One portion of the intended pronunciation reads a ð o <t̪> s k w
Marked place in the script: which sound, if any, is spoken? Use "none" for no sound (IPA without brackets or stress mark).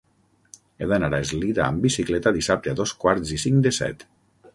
none